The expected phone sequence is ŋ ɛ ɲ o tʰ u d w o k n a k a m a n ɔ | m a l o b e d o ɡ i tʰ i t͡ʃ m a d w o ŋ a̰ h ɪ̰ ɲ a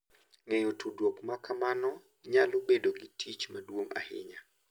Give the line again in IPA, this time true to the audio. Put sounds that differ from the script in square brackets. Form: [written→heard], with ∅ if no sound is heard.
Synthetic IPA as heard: ŋ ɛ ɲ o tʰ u d w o k [n→m] a k a m a n ɔ | [m→ɲ] a l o b e d o ɡ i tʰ i t͡ʃ m a d w o ŋ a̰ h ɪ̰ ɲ a